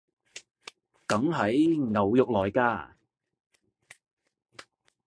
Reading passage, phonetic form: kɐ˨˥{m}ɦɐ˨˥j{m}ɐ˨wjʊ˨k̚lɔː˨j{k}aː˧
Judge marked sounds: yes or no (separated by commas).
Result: no, no, yes